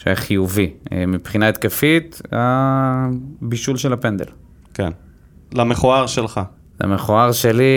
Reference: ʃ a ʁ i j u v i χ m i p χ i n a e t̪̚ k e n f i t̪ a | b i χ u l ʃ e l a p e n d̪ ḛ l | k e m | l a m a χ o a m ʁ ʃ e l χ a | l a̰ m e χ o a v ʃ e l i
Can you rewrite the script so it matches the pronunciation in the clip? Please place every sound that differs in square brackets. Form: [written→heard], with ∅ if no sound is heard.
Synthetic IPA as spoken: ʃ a [ʁ→χ] i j u v i [χ→∅] m i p χ i n a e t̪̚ k e [n→∅] f i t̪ a | b i [χ→ʃ] u l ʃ e l a p e n d̪ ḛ l | k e [m→n] | l a m [a→e] χ o a [m→∅] ʁ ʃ e l χ a | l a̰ m e χ o a [v→ʁ] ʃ e l i